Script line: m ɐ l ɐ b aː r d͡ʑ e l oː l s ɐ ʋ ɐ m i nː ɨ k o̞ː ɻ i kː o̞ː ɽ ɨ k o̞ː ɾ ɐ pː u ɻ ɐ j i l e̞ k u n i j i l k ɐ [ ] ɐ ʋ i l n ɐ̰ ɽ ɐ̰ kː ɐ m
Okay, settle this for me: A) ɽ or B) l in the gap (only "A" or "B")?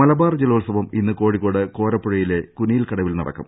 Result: A